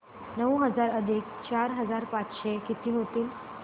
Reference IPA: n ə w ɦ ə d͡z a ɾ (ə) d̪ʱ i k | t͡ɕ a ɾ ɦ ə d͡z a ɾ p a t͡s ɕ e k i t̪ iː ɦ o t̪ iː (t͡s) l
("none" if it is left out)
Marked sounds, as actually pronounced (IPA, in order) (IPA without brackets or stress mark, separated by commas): ə, none